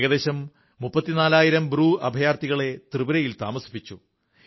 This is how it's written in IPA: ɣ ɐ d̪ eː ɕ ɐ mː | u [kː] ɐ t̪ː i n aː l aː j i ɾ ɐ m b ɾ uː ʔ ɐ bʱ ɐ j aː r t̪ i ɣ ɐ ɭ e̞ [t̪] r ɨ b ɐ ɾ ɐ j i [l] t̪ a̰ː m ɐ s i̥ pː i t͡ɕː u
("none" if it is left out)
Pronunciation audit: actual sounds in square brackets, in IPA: pː, t̪, l

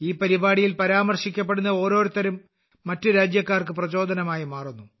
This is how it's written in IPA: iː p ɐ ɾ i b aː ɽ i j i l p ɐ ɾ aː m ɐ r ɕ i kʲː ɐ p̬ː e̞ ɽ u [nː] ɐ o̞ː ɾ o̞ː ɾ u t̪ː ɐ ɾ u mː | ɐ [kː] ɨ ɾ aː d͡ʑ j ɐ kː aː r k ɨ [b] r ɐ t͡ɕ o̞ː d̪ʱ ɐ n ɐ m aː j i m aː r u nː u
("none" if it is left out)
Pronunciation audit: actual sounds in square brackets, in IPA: nː, tː, p

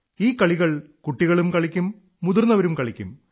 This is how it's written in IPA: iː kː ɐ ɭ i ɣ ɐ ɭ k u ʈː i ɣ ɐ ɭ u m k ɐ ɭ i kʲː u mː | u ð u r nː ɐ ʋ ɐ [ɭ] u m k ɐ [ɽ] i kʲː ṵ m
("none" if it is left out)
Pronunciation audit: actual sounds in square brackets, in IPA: ɾ, ɭ

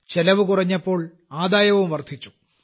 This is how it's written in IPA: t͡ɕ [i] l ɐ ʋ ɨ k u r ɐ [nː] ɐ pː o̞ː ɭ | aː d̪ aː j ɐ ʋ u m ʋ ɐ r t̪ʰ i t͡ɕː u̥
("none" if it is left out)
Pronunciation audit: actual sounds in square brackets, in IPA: e, ɲː

